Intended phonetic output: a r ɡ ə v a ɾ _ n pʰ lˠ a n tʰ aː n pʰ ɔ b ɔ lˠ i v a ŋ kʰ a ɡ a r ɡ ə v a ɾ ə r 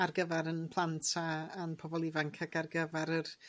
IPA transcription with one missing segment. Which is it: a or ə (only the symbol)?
ə